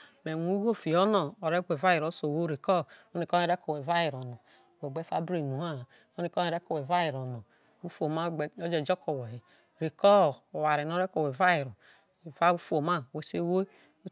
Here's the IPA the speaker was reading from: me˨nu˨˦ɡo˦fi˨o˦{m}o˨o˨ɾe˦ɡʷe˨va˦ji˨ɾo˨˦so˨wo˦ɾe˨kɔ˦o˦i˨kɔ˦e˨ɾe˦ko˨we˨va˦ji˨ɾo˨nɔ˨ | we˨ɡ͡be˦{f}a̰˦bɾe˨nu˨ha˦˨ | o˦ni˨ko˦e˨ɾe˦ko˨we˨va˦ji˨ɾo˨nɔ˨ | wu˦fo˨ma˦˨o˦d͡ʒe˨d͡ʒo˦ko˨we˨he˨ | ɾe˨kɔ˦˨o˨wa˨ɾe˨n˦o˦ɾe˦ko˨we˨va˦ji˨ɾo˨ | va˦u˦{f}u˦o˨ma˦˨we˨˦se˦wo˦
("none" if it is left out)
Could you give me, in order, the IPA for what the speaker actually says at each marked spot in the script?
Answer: n, s, f

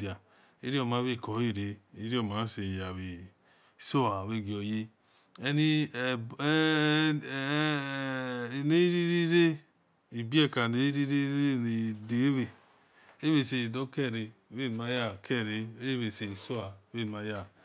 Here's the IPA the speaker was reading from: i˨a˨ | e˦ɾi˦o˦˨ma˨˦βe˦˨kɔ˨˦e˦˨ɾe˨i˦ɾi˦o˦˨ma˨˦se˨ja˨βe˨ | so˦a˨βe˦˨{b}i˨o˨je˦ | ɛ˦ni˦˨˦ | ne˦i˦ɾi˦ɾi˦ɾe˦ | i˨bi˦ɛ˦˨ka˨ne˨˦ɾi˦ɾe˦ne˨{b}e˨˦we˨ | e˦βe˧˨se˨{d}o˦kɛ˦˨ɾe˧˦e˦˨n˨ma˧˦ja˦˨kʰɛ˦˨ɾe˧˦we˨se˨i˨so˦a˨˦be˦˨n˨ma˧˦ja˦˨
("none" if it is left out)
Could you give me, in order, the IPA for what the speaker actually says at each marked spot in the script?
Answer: ɡ, d, d

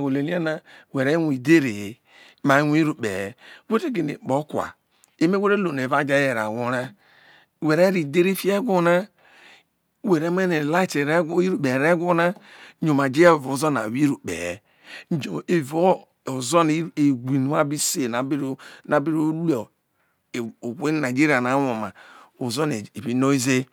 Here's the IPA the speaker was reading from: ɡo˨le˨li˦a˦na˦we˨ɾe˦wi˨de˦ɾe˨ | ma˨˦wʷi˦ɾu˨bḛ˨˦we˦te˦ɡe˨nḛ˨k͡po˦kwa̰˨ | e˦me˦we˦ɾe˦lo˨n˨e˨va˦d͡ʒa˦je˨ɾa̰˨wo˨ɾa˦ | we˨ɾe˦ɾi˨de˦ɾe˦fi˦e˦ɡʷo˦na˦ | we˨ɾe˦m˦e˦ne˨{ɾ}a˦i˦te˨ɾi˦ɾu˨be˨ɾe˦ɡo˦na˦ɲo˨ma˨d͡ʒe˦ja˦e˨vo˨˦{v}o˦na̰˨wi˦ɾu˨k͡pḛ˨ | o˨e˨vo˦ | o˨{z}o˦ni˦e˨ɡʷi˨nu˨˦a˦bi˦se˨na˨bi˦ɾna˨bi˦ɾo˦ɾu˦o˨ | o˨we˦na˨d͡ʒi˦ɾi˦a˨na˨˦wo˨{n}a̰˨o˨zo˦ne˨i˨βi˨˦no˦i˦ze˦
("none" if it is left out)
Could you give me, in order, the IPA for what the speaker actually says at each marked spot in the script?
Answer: l, z, z, m

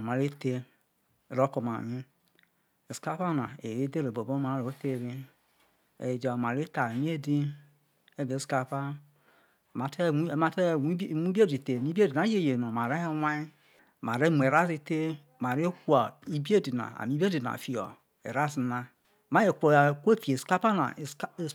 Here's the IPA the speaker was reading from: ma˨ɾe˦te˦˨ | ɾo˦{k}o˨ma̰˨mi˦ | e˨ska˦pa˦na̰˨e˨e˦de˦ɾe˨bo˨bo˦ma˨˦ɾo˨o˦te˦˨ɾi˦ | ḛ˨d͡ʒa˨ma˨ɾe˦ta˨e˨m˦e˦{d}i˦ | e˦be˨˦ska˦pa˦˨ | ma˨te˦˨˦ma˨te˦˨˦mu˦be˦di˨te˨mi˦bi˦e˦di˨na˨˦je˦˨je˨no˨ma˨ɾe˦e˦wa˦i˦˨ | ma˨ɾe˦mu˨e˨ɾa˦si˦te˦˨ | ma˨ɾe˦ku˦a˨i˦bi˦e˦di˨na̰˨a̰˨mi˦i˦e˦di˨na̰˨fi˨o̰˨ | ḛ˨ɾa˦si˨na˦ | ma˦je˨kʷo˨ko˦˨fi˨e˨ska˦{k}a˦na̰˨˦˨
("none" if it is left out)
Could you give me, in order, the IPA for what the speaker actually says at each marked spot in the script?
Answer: k, d, p

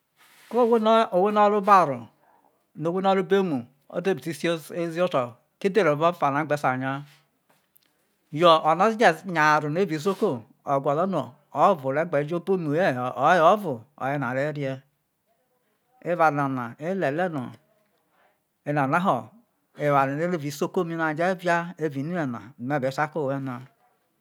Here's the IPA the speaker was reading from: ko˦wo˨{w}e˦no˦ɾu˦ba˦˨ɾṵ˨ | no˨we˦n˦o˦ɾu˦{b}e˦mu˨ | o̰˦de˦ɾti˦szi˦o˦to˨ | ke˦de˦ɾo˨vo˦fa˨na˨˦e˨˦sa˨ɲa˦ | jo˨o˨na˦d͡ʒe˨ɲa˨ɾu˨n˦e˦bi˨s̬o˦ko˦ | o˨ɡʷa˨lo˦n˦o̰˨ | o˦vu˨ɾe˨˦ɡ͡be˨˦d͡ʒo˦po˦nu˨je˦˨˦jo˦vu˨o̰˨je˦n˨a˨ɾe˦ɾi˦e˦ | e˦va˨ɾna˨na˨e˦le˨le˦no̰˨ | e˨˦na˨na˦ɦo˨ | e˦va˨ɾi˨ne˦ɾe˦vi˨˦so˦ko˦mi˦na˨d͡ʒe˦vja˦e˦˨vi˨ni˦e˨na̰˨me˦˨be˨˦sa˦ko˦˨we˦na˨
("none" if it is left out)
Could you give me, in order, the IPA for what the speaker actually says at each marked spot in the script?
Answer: w, b

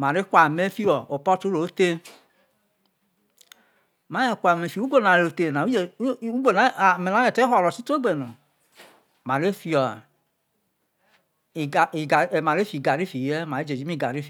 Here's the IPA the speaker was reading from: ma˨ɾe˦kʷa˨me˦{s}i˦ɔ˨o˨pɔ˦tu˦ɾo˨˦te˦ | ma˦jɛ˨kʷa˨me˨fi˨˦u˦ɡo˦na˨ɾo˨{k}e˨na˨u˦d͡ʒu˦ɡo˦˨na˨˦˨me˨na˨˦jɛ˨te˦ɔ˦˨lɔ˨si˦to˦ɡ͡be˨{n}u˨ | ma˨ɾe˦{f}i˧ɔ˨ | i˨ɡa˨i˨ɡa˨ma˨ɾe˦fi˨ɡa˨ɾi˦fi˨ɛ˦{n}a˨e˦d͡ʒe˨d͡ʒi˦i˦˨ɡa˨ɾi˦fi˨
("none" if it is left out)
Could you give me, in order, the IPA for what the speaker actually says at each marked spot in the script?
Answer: f, t, n, f, m

